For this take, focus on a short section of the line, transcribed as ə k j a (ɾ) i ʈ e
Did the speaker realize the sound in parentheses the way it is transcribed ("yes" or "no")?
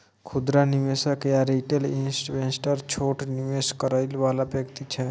yes